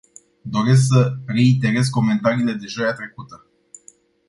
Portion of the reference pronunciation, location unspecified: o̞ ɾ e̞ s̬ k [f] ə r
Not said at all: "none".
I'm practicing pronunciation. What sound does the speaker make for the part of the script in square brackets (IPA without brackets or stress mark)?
s